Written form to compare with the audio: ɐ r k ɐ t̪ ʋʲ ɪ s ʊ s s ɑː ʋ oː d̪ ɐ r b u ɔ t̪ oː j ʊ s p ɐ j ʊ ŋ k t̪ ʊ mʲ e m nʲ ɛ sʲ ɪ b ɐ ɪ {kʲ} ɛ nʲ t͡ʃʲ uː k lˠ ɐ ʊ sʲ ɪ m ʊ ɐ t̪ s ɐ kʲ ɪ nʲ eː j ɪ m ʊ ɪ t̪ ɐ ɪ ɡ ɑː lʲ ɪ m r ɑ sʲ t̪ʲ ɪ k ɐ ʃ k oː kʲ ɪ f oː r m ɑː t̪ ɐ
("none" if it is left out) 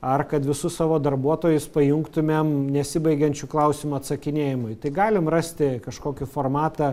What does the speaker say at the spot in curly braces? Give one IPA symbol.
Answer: ɡʲ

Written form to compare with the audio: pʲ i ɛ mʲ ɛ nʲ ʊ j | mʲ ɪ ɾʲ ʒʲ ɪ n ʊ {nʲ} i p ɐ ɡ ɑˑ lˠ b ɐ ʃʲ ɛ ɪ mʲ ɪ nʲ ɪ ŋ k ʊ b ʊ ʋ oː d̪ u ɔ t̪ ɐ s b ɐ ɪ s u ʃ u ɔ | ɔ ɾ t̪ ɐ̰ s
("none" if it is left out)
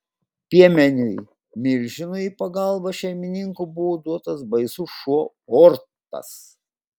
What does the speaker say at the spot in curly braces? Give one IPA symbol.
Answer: none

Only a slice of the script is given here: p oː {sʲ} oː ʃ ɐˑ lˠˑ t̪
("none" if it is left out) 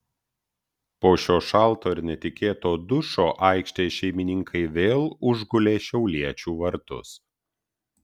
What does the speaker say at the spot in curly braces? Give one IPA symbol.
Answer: ʃʲ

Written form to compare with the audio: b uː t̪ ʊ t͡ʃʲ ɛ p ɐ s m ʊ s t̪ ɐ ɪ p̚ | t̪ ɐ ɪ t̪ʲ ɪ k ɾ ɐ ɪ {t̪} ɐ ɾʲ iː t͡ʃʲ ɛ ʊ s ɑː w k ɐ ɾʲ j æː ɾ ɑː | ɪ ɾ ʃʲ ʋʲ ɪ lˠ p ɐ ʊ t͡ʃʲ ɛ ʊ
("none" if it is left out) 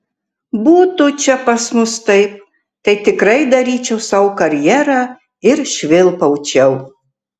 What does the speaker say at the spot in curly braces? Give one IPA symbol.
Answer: d̪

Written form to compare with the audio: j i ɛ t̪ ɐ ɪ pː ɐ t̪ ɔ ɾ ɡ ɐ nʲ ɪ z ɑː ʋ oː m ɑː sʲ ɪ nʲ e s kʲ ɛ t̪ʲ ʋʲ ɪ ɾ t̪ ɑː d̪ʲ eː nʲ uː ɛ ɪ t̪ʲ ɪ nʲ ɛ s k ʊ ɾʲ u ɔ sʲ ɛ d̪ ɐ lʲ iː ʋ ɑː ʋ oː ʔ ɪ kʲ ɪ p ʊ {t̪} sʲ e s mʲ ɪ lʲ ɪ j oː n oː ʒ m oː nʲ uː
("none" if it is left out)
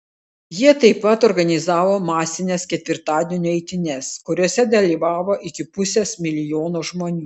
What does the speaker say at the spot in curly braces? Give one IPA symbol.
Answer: none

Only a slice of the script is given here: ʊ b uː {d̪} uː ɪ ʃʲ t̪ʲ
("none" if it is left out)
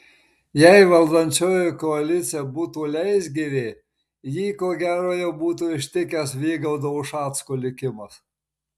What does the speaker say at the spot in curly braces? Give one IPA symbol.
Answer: t̪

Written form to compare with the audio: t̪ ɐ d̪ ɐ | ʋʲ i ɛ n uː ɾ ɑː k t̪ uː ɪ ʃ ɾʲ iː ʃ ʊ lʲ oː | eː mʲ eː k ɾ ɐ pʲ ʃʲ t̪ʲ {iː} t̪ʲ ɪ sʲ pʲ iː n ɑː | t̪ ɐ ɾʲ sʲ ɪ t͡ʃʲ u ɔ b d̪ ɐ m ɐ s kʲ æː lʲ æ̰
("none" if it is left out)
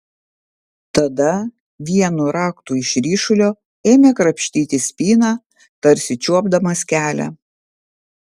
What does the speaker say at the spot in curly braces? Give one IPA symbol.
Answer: iː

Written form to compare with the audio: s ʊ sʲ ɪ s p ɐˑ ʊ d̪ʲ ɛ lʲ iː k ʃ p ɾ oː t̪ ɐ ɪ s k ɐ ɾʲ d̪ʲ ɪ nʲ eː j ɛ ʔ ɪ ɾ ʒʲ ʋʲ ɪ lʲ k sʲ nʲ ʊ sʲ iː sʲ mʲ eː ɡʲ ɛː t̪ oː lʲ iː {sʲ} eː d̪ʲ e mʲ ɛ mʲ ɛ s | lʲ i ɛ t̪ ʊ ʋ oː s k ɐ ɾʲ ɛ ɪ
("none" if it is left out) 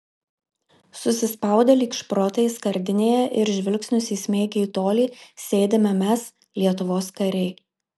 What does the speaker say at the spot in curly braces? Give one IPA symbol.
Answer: sʲ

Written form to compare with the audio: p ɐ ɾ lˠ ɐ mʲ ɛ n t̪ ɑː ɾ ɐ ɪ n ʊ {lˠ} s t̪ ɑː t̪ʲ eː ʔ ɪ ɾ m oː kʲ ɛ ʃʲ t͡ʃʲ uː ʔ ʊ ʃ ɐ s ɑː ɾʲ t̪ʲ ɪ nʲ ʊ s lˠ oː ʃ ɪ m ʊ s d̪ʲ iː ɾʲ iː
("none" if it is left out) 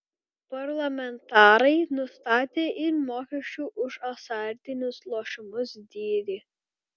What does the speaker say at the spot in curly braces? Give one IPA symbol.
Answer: none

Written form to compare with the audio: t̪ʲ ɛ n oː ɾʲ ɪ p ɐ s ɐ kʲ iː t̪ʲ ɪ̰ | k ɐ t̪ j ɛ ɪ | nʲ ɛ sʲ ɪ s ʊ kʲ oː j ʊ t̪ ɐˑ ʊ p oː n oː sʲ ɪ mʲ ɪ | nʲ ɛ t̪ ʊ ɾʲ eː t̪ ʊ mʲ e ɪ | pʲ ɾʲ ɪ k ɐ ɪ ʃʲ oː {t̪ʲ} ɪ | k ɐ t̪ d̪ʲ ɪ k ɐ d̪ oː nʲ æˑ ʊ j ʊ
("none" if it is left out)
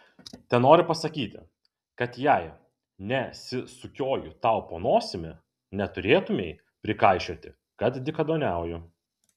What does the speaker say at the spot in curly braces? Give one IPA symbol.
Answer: t̪ʲ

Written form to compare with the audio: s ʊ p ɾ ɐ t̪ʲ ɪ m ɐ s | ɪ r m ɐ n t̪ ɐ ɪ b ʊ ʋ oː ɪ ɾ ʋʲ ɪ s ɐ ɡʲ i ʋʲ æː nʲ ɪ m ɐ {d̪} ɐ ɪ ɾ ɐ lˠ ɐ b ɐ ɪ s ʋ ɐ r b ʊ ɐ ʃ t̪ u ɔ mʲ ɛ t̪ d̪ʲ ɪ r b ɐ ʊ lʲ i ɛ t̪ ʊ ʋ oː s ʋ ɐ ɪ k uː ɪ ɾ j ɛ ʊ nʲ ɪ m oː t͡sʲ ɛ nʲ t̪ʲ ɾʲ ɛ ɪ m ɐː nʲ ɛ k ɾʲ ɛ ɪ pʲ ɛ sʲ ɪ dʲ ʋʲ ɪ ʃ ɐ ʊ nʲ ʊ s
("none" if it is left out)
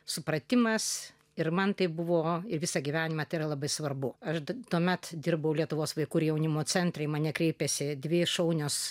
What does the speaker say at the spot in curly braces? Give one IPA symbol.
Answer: t̪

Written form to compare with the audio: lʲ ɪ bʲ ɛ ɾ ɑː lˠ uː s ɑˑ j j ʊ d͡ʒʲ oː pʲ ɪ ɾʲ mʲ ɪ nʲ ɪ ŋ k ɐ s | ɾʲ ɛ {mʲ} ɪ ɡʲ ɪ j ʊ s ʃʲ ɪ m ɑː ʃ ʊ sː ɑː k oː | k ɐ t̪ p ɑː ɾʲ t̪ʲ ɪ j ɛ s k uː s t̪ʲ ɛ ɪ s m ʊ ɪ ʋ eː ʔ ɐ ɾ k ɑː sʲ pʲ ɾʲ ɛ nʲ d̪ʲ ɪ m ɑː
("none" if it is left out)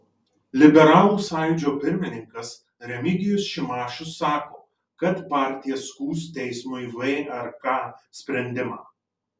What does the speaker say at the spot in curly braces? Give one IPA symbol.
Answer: mʲ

